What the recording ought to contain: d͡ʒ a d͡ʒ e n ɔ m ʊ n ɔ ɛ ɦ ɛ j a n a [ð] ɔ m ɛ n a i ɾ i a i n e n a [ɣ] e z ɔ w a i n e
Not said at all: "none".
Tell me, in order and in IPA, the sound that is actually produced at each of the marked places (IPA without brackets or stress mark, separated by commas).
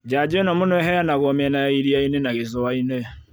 ɣ, ɣ